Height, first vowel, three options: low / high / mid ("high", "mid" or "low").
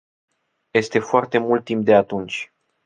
mid